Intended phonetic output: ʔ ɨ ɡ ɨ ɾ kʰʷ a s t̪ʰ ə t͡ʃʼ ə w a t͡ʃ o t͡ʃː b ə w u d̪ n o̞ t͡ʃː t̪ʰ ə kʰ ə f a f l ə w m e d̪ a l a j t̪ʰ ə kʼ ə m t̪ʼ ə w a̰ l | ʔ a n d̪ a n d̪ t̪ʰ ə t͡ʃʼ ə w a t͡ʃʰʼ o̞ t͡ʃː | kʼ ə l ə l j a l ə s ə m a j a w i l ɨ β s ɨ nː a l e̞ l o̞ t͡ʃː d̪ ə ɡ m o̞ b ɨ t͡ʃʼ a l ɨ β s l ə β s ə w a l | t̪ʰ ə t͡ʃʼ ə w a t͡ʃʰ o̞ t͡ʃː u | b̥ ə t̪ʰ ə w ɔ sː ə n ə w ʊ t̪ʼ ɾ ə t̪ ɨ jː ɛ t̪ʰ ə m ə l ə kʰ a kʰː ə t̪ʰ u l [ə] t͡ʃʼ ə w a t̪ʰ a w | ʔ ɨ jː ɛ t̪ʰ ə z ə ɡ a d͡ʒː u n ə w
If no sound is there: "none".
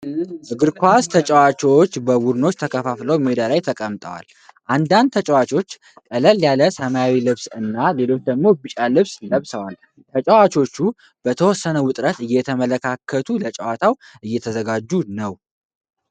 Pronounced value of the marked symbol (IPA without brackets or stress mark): ə